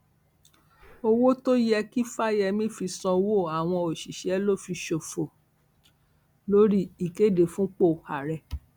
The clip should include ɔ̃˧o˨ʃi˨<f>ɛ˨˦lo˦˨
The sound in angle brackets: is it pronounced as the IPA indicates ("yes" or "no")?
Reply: no